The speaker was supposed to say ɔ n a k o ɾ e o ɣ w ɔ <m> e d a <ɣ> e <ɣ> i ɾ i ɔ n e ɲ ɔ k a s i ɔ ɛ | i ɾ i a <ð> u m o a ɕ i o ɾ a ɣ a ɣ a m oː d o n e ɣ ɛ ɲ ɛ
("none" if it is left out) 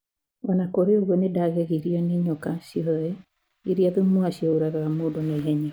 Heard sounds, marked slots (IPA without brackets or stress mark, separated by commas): n, ɣ, ɣ, ð